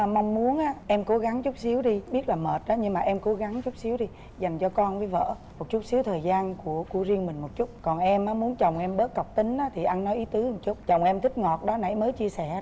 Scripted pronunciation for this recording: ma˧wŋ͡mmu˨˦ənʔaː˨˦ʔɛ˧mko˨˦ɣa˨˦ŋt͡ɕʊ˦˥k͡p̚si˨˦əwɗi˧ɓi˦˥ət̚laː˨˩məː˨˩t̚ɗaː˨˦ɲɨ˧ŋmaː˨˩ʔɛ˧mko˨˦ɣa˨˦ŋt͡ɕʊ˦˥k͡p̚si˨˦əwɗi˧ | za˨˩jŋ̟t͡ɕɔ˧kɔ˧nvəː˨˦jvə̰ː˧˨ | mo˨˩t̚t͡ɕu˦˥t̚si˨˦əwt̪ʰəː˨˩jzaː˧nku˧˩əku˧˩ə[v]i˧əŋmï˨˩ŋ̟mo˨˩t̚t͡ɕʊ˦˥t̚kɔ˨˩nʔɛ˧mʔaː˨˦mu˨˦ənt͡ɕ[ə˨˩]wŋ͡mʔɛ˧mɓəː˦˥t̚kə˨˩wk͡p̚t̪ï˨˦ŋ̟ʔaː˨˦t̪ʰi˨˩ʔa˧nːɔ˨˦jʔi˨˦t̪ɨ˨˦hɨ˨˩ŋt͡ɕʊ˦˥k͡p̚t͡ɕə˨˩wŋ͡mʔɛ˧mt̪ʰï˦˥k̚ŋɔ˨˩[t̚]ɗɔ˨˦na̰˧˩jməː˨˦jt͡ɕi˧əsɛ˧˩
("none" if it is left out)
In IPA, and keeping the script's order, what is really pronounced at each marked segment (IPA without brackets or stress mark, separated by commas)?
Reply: z, ə˨˩, t̚